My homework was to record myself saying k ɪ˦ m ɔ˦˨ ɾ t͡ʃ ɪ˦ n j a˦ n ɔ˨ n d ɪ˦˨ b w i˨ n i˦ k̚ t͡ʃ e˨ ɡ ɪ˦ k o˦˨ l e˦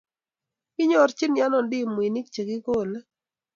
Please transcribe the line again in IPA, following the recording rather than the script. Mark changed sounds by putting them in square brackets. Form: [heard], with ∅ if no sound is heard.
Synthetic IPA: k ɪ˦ [ɲ] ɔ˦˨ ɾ t͡ʃ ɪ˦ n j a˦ n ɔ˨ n d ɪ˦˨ [m] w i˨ n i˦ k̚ t͡ʃ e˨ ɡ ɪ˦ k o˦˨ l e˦

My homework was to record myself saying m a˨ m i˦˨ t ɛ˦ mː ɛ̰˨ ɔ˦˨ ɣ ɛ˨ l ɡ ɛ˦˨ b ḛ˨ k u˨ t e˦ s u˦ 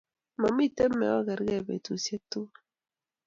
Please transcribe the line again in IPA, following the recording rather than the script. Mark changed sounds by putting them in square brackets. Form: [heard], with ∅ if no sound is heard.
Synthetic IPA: m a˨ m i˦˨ t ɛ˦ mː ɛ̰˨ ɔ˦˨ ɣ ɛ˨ [ɾ] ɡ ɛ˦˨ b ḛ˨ [t] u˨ [s] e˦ [t] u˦

